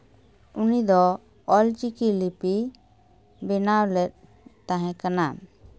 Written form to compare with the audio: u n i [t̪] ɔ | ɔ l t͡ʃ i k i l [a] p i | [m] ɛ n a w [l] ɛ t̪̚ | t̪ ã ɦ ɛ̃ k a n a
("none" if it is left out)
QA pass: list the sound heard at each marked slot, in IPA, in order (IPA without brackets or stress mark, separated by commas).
d̪, i, b, l